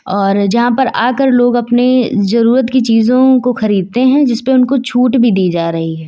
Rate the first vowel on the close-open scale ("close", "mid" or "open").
mid